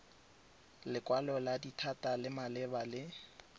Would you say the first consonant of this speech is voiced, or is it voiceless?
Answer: voiced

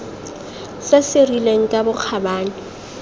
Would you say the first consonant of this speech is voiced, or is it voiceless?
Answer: voiceless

